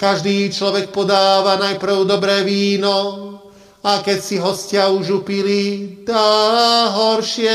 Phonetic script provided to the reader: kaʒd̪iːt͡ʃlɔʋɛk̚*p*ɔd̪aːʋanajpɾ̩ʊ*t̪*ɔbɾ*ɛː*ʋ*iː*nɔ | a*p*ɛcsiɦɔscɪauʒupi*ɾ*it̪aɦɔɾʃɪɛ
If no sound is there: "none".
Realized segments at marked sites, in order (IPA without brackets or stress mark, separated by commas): p, d̪, ɛː, iː, k, l